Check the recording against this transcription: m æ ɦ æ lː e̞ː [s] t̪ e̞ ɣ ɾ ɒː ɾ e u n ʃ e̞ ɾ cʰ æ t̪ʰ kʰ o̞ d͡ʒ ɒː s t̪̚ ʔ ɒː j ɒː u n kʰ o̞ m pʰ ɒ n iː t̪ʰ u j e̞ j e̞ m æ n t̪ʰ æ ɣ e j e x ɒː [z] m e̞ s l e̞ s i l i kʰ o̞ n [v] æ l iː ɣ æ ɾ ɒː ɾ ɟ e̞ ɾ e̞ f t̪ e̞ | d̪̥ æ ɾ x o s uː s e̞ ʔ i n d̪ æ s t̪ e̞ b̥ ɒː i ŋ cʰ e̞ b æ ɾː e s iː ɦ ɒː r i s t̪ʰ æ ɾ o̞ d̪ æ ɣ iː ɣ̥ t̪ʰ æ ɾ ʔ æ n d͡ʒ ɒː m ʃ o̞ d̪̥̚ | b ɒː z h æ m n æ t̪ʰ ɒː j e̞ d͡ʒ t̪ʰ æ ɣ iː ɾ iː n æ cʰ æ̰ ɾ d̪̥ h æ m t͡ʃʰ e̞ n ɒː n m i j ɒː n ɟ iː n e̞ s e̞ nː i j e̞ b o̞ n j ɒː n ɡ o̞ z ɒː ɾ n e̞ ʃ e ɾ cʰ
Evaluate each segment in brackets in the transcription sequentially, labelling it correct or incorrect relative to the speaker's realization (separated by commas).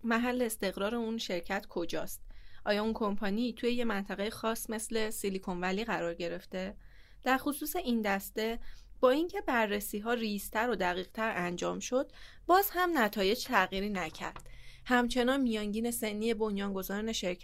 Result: correct, incorrect, correct